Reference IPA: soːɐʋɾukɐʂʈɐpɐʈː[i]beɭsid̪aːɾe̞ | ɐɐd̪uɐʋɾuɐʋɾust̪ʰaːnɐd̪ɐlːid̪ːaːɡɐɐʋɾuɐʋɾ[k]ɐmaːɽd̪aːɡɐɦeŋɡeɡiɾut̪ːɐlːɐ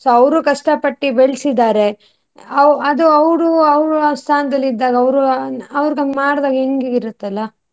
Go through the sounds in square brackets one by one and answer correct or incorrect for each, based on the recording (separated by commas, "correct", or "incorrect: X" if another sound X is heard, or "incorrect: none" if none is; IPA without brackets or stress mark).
correct, incorrect: ɡ